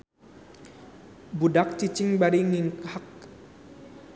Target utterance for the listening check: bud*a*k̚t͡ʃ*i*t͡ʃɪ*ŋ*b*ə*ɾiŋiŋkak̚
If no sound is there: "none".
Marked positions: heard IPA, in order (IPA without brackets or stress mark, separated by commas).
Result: a, i, ŋ, a